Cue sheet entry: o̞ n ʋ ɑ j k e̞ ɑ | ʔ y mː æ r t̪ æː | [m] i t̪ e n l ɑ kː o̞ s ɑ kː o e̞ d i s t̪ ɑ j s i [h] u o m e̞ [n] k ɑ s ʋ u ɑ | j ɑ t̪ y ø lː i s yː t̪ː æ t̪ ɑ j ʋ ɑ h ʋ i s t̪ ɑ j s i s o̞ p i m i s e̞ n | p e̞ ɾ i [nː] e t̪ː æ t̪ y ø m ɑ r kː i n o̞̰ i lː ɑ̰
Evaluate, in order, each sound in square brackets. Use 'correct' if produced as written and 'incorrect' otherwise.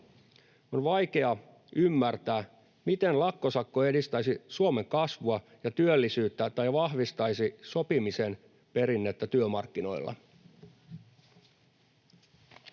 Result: correct, incorrect: s, incorrect: ŋ, correct

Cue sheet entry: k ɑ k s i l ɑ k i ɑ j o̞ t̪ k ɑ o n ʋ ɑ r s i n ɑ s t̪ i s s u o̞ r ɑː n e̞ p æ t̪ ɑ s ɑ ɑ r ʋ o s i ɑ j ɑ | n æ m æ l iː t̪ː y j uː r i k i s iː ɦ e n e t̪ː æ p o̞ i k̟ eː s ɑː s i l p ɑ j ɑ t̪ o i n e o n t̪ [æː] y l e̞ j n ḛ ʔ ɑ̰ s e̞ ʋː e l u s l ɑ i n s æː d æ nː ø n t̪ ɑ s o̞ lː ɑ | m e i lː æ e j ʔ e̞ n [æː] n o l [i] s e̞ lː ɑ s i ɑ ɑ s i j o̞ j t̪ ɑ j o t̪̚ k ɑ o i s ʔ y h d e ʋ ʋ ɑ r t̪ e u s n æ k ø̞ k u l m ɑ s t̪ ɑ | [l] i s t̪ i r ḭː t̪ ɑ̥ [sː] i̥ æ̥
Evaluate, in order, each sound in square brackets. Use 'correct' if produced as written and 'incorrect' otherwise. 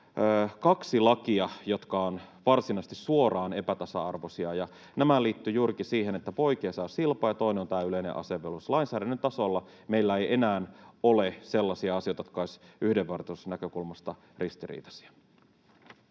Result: correct, correct, incorrect: e, incorrect: r, incorrect: s

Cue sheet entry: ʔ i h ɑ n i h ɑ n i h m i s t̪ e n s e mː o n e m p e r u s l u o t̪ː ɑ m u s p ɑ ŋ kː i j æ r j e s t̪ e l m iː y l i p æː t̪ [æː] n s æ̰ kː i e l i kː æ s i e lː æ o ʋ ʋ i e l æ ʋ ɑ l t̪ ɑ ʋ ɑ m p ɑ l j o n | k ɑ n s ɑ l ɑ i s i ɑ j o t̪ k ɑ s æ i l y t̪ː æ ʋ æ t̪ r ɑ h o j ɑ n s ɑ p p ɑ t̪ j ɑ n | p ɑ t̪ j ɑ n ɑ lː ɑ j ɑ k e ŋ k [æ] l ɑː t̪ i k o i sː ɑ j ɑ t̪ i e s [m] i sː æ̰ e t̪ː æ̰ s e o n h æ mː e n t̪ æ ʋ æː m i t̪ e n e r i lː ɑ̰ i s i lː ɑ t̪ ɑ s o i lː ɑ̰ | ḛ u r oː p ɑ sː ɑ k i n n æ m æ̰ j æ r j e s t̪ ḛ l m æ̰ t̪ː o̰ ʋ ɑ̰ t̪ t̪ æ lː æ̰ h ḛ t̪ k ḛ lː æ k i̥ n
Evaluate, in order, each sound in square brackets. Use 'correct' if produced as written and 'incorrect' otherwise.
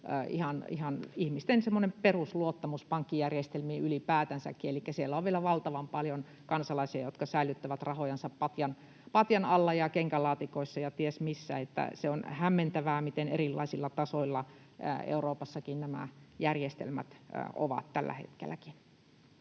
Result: incorrect: æ, correct, correct

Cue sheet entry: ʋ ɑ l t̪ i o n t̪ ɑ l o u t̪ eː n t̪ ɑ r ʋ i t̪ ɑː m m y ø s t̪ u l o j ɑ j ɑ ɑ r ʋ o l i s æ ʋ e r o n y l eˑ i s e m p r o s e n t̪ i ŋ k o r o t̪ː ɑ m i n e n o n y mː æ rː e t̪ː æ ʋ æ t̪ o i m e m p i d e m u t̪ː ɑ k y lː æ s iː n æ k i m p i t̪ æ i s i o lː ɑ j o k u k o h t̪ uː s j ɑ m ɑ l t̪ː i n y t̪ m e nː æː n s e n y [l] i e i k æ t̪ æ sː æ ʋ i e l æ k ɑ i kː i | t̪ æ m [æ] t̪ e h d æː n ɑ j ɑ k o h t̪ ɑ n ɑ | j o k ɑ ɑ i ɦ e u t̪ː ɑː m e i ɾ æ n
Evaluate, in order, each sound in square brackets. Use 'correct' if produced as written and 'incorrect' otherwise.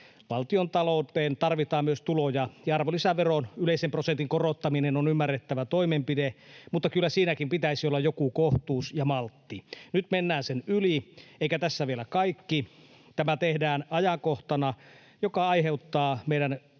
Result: correct, correct

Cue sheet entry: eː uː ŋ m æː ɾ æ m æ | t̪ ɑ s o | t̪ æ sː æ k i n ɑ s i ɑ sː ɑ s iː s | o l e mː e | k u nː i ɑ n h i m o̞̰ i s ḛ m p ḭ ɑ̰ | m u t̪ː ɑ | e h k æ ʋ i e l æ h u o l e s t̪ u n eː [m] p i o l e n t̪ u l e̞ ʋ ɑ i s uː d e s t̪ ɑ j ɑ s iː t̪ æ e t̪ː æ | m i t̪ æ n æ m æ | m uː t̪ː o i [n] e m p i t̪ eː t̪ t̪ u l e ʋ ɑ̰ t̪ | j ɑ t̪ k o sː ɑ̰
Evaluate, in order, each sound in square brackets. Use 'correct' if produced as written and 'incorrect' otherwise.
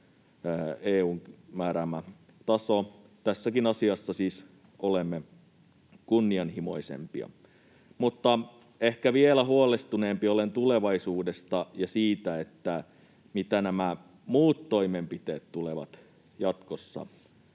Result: correct, incorrect: m

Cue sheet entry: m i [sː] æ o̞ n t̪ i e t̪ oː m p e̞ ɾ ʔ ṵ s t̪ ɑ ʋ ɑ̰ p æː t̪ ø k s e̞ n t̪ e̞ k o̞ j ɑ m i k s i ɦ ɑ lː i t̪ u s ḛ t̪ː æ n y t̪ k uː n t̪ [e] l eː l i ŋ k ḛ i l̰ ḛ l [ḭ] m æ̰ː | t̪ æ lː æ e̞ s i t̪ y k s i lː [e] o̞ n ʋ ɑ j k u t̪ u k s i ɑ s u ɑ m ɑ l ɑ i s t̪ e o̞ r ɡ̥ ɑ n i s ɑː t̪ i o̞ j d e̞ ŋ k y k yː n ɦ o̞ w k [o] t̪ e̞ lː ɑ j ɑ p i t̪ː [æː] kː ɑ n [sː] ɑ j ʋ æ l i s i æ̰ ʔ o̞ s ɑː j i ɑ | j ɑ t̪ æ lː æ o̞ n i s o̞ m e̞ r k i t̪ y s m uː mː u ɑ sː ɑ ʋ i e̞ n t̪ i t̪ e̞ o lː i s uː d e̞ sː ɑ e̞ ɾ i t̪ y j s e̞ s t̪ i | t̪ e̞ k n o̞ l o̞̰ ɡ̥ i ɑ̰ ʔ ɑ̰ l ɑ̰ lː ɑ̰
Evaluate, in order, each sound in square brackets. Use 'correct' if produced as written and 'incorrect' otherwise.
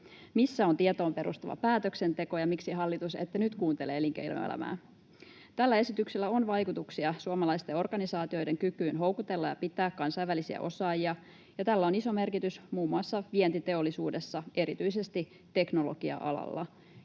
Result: correct, correct, incorrect: æ̰, incorrect: æ, incorrect: u, correct, incorrect: s

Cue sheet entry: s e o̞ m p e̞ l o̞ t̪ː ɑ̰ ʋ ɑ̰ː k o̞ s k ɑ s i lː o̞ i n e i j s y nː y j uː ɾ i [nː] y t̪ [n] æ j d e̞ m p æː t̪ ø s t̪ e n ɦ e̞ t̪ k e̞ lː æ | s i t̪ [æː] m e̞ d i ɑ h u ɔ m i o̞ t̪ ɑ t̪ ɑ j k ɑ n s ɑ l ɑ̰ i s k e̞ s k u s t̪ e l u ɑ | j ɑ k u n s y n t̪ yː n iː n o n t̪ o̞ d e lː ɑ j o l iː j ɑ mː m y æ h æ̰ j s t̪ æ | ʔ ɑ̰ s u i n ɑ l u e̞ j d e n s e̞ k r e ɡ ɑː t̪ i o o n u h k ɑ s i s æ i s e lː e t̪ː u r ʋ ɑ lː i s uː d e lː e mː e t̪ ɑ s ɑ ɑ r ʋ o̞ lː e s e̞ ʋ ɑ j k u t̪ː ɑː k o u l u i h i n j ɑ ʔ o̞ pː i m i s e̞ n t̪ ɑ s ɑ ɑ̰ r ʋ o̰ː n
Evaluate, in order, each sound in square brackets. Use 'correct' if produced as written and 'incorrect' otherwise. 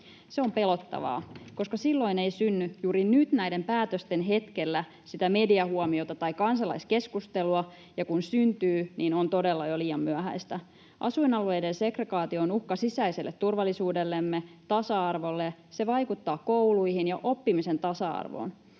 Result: incorrect: n, correct, incorrect: æ

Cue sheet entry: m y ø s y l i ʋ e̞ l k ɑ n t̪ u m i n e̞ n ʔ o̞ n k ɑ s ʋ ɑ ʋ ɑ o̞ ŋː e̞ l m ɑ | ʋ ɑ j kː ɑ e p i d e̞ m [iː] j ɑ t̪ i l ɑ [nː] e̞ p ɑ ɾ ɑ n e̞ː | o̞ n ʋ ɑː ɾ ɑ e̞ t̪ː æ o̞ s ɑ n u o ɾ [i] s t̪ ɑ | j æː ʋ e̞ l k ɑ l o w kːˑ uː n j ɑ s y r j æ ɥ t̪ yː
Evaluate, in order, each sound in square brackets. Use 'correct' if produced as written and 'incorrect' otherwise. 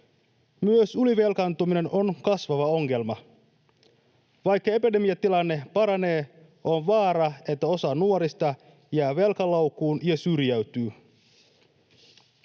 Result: incorrect: i, correct, correct

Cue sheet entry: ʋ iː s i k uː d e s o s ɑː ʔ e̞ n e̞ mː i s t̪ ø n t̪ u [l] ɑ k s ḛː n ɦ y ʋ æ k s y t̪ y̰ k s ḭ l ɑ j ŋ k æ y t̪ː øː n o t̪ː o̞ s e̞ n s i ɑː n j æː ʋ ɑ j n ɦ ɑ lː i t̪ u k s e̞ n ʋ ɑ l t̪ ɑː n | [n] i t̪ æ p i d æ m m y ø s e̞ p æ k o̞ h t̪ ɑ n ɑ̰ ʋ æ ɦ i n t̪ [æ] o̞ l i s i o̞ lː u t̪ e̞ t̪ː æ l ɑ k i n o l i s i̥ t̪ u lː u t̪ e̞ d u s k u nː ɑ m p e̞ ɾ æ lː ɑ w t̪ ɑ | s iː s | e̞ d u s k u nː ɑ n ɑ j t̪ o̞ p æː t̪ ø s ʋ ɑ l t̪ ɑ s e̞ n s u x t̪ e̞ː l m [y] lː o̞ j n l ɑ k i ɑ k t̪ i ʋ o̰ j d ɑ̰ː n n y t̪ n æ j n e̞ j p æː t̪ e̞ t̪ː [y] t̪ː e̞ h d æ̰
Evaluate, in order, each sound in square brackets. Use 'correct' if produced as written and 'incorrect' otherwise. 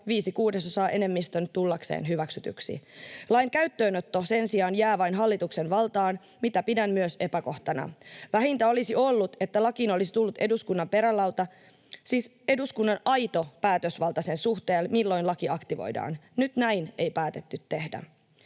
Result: incorrect: lː, incorrect: m, correct, incorrect: i, correct

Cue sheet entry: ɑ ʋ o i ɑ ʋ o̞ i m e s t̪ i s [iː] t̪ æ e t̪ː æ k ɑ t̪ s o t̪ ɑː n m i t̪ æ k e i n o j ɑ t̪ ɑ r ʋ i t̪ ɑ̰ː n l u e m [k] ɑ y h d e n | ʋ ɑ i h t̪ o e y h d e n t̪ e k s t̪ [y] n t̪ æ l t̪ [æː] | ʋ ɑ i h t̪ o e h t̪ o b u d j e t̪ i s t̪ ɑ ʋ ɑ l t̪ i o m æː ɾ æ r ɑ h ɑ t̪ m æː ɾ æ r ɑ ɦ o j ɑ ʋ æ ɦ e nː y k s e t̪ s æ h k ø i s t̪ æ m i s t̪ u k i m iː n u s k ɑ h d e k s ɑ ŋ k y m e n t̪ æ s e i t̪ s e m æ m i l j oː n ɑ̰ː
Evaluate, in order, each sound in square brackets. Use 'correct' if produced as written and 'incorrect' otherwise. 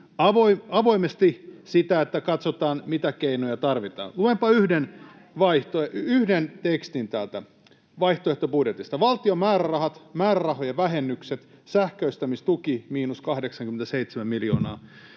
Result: incorrect: i, incorrect: p, incorrect: i, incorrect: æ

